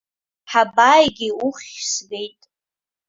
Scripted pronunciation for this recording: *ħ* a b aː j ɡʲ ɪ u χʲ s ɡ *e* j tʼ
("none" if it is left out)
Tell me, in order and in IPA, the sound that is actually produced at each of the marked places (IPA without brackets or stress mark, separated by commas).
ħ, e